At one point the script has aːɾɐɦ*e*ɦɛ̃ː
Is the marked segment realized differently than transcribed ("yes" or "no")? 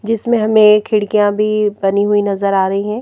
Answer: yes